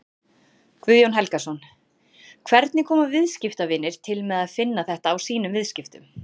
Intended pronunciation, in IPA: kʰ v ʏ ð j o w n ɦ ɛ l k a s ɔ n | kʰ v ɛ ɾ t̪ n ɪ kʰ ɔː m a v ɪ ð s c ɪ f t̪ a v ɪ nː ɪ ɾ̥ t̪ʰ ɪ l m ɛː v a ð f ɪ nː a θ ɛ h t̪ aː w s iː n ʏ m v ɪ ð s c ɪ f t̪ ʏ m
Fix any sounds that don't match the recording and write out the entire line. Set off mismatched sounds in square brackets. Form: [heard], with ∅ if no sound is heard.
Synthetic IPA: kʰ v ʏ ð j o w n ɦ ɛ l k a s ɔ n | kʰ v ɛ ɾ t̪ n ɪ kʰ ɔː m a v ɪ ð s c ɪ f t̪ a v ɪ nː ɪ ɾ̥ t̪ʰ ɪ l m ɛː [ð] a ð f ɪ nː a θ ɛ h t̪ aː w s iː n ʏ m v ɪ ð s c ɪ f t̪ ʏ m